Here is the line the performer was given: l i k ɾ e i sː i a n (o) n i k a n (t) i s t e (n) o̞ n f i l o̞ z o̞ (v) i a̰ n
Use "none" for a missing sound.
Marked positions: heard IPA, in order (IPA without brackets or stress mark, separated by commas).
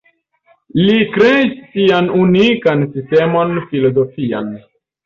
u, s, m, f